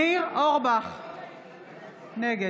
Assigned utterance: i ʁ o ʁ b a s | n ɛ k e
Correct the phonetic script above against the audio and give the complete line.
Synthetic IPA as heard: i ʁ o ʁ b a χ | n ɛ ɡ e